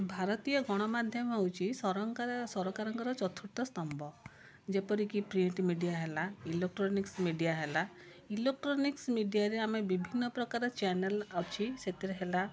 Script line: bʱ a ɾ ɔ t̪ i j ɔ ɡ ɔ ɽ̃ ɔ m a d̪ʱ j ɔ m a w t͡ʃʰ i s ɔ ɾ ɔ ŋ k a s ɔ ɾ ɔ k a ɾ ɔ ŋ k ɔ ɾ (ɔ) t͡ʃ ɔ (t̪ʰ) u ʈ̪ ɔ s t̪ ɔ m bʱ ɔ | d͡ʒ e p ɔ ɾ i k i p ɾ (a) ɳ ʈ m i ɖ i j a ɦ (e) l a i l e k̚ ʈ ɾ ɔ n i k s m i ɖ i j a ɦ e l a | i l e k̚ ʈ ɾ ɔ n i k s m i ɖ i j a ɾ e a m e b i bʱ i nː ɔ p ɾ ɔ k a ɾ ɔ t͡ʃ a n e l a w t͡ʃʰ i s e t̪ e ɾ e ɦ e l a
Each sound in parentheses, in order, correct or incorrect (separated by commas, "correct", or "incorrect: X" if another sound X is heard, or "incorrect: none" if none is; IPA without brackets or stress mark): correct, correct, incorrect: i, correct